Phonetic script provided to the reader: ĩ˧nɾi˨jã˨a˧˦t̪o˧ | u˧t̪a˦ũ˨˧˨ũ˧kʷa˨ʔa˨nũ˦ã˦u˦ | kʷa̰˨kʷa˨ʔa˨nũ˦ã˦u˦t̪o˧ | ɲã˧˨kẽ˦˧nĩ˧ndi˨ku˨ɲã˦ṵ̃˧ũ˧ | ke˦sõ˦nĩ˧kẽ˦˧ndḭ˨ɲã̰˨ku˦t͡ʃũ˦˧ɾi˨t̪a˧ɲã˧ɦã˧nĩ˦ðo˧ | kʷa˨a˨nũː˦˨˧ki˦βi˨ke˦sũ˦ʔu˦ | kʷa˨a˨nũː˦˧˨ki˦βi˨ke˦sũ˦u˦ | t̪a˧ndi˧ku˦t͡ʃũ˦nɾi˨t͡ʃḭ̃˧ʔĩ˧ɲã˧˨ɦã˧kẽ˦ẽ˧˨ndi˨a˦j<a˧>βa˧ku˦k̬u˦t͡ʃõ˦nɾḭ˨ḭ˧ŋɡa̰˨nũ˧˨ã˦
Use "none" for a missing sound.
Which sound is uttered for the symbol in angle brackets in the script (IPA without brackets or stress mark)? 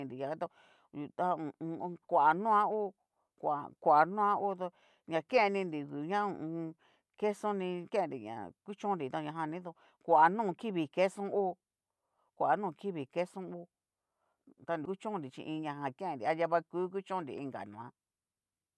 a˧